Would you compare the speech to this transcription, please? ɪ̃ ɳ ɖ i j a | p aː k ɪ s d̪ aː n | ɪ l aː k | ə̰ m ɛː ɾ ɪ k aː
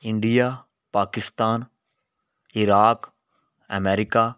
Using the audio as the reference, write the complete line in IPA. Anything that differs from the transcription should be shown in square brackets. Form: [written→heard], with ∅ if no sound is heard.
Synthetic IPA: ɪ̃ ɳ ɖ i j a | p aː k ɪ s [d̪→t̪] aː n | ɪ [l→ɾ] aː k | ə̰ m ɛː ɾ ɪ k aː